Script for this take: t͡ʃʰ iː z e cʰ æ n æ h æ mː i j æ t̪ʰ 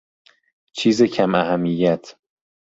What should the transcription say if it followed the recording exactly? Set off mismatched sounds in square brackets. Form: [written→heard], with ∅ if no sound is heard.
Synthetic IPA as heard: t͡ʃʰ iː z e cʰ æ [n→m] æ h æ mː i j æ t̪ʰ